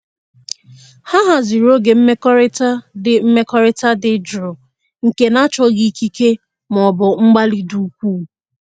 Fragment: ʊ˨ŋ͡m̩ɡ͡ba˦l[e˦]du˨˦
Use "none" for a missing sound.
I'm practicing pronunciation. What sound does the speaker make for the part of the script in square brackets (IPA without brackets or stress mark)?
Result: i˦